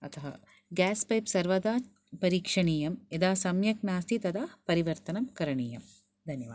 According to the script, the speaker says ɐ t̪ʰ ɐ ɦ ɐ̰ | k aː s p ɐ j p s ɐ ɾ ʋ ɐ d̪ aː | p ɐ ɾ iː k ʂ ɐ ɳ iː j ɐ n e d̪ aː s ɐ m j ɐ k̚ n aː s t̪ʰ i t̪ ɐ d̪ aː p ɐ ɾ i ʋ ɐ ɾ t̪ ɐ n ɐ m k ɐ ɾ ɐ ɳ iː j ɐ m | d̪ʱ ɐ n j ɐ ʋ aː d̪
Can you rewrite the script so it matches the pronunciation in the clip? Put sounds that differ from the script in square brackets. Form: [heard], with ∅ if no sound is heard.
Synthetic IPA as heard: ɐ t̪ʰ ɐ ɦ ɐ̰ | [ɡ] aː s p ɐ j p s ɐ ɾ ʋ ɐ d̪ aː | p ɐ ɾ iː k ʂ ɐ ɳ iː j ɐ [m] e d̪ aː s ɐ m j ɐ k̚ n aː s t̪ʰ i t̪ ɐ d̪ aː p ɐ ɾ i ʋ ɐ ɾ t̪ ɐ n ɐ m k ɐ ɾ ɐ ɳ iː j ɐ m | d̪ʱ ɐ n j ɐ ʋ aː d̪